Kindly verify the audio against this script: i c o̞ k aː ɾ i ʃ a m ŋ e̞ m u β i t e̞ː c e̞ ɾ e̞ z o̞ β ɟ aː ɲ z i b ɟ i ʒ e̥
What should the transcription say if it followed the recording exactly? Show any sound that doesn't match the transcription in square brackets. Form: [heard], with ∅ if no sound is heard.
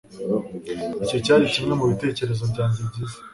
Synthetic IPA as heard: i c o̞ [c] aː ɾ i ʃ [i] m ŋ e̞ m u β i t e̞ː c e̞ ɾ e̞ z o̞ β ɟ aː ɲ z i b ɟ i [z] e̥